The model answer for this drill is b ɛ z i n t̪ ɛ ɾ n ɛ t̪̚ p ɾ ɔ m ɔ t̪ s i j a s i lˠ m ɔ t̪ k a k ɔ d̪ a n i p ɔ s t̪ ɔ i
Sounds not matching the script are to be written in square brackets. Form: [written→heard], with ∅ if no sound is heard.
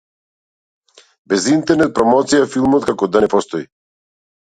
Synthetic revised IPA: b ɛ z i n t̪ ɛ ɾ n ɛ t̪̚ p ɾ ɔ m ɔ t̪ s i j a [s→f] i lˠ m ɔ t̪ k a k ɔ d̪ a n [i→ɛ] p ɔ s t̪ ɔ i